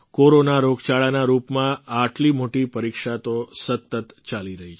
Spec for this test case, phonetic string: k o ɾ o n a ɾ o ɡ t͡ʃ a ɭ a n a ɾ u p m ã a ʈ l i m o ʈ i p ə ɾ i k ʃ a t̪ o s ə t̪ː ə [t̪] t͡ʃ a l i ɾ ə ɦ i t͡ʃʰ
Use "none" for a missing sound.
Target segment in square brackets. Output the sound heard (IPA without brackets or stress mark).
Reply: t̪